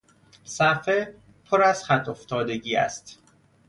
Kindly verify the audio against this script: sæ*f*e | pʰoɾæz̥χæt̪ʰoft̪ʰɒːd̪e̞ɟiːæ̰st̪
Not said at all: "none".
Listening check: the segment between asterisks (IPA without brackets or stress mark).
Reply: f